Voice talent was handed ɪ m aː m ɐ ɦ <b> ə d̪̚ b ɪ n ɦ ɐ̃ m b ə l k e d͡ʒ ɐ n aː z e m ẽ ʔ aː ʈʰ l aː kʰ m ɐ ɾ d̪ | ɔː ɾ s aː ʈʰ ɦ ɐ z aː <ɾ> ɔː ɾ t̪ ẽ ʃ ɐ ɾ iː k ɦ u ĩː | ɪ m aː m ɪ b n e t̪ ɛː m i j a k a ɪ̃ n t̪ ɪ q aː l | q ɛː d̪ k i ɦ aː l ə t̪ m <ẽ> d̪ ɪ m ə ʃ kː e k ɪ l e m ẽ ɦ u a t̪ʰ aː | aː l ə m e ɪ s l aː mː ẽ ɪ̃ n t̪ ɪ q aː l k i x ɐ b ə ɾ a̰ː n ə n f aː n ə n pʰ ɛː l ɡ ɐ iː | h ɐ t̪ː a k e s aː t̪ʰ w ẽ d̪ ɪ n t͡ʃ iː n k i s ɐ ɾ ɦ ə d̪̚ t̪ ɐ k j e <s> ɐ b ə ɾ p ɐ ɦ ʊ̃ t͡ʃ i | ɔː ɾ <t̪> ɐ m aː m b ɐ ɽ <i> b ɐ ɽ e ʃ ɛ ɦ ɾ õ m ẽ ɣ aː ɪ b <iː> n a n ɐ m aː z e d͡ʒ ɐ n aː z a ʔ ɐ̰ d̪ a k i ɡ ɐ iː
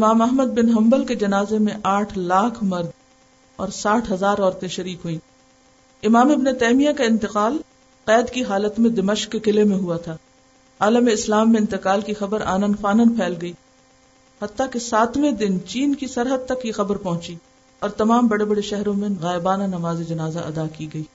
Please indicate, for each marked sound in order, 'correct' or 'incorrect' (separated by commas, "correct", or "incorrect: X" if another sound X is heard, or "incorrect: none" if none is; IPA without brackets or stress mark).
incorrect: m, correct, correct, incorrect: x, correct, incorrect: e, incorrect: aː